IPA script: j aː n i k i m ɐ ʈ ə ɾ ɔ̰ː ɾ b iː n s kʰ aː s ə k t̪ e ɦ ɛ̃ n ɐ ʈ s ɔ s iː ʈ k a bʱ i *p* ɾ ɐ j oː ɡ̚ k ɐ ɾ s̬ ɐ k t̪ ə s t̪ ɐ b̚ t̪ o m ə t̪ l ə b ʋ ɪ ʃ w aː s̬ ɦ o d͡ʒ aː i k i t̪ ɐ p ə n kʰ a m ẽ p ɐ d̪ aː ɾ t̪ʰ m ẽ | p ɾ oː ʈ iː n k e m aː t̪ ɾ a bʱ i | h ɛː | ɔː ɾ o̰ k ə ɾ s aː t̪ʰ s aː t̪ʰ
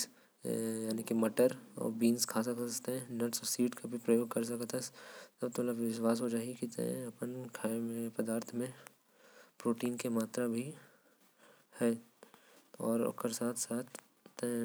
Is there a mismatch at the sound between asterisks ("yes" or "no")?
no